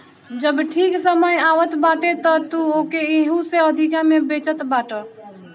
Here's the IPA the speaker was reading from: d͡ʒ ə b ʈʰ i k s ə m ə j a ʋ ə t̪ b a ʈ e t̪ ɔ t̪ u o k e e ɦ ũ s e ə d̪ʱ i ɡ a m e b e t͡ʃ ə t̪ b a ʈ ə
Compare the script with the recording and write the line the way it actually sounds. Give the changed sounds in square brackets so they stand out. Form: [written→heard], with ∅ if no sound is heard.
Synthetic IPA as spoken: d͡ʒ ə b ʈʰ i k s ə m ə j a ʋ ə t̪ b a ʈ e t̪ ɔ t̪ u o k e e ɦ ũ s e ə d̪ʱ i [ɡ→k] a m e b e t͡ʃ ə t̪ b a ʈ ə